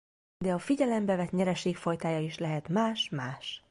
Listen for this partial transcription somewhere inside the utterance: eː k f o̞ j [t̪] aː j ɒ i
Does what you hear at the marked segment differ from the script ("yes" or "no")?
no